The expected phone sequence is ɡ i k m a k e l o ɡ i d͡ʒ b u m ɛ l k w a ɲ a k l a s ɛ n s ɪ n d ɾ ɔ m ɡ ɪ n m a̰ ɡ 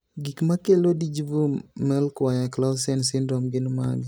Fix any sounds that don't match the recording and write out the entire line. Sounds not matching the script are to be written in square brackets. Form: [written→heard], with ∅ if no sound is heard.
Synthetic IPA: ɡ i k m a k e l o [ɡ→d] i d͡ʒ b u m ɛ l k w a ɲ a k l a s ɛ n s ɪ n d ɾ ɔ m ɡ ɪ n m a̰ ɡ